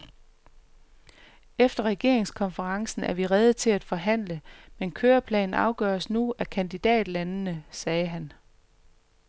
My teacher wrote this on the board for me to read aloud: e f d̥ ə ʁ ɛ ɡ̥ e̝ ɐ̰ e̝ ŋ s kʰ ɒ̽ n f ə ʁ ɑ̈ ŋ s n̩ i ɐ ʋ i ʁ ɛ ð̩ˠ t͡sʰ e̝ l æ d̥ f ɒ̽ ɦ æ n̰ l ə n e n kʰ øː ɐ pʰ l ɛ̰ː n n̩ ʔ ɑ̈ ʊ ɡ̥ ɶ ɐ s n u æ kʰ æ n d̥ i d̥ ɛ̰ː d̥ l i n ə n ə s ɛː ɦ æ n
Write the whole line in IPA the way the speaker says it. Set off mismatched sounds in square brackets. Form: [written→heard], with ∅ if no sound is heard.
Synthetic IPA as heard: e f d̥ [ə→ɐ] ʁ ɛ ɡ̥ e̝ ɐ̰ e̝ ŋ s kʰ ɒ̽ n f ə ʁ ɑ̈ ŋ s n̩ [i→æ] ɐ ʋ i ʁ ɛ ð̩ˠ t͡sʰ e̝ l æ d̥ f ɒ̽ ɦ æ n̰ l ə [n→m] e n kʰ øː ɐ pʰ l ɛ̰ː n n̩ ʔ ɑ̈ ʊ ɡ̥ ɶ ɐ s n u æ kʰ æ n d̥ i d̥ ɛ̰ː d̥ l [i→æ] n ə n ə s ɛː ɦ æ n